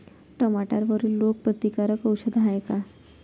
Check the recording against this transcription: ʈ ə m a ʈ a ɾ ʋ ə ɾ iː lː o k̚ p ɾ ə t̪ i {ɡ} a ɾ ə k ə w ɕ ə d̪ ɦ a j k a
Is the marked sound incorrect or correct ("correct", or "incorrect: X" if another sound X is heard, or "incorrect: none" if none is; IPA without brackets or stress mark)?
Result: incorrect: k